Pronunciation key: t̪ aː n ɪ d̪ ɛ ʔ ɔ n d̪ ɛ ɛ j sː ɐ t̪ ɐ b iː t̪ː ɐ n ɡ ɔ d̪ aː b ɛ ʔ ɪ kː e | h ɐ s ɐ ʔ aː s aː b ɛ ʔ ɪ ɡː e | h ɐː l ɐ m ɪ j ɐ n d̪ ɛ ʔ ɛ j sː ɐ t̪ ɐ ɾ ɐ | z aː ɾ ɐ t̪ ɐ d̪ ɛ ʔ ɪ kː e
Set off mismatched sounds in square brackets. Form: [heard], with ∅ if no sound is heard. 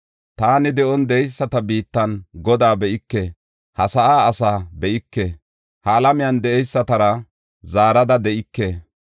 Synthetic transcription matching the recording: t̪ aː n ɪ d̪ ɛ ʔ ɔ n d̪ ɛ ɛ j sː ɐ t̪ ɐ b iː t̪ː ɐ n ɡ ɔ d̪ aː b ɛ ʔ ɪ kː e | h ɐ s ɐ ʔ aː s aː b ɛ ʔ ɪ [kː] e | h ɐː l ɐ m ɪ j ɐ n d̪ ɛ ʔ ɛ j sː ɐ t̪ ɐ ɾ ɐ | z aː ɾ ɐ [d̪] ɐ d̪ ɛ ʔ ɪ kː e